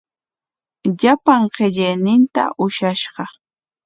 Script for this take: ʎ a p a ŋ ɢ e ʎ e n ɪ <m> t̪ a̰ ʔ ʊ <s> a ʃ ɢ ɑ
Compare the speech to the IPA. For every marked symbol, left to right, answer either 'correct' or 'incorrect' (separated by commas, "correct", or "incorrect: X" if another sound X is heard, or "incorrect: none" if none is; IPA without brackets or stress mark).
incorrect: n, incorrect: ʃ